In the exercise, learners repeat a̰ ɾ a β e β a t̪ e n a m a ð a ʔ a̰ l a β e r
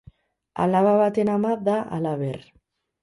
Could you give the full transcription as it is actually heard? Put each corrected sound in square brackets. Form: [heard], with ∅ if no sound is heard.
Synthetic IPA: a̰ [l] a β [a] β a t̪ e n a m a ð a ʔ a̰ l a β e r